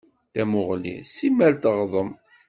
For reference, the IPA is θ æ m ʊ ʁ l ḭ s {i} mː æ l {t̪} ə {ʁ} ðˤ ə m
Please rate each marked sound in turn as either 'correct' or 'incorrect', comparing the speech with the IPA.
correct, correct, correct

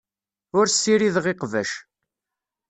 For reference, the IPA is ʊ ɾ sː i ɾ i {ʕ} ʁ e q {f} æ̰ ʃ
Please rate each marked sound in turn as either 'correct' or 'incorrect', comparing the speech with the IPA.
incorrect, incorrect

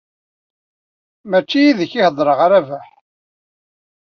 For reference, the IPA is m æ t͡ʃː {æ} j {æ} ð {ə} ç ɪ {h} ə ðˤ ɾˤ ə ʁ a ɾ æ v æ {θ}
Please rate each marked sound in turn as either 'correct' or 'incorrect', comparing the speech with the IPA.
incorrect, incorrect, correct, correct, incorrect

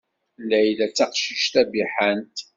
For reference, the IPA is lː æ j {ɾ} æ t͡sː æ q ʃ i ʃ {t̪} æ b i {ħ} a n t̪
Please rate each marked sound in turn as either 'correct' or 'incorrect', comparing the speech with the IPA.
incorrect, correct, correct

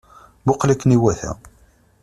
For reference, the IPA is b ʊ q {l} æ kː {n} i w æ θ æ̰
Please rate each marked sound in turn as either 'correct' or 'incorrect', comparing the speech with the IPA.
correct, correct

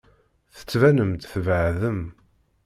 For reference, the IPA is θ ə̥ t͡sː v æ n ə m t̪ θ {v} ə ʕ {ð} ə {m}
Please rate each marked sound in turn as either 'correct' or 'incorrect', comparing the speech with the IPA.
correct, correct, correct

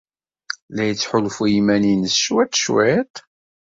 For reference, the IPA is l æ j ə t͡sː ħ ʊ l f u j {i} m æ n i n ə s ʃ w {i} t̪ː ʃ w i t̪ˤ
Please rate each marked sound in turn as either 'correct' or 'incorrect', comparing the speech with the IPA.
correct, incorrect

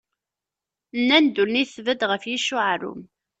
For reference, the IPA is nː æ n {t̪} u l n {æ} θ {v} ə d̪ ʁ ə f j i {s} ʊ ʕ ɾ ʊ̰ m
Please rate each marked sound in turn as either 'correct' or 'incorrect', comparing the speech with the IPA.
incorrect, incorrect, correct, incorrect

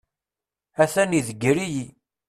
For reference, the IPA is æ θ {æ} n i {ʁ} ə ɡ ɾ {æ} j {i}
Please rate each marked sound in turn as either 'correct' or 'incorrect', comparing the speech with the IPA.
correct, incorrect, incorrect, correct

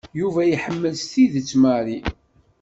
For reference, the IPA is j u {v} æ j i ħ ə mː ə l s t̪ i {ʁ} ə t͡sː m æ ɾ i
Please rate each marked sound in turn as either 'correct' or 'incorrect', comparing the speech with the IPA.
correct, incorrect

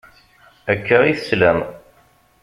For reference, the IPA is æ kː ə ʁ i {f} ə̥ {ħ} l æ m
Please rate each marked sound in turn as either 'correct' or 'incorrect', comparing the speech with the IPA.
incorrect, incorrect

